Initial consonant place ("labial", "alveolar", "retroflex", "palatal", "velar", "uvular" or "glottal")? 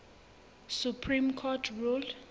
alveolar